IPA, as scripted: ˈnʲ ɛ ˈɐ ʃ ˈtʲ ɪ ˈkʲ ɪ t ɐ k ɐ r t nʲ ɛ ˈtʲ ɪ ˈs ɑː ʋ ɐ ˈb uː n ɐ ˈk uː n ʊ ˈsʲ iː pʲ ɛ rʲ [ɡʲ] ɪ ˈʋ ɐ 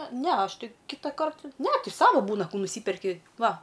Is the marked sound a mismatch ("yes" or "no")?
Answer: yes